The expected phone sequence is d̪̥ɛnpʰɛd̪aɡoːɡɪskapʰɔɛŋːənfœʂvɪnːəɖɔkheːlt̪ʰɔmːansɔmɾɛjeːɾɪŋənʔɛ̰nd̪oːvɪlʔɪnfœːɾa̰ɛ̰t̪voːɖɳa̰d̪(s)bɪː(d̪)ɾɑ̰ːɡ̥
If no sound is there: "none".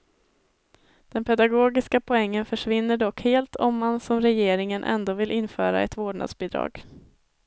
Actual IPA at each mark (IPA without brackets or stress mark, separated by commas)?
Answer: s, d̪